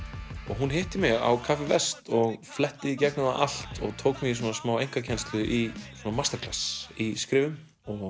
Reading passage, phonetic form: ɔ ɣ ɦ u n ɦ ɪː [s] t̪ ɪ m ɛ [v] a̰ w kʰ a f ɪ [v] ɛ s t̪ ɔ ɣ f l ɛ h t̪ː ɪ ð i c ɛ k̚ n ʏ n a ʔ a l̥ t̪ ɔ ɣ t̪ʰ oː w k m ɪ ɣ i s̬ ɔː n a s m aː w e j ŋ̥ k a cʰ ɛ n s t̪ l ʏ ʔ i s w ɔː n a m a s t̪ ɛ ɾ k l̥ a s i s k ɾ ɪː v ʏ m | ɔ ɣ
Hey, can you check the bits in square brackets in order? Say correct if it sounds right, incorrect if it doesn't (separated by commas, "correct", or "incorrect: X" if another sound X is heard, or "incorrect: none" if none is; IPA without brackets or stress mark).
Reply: incorrect: h, incorrect: ɣ, correct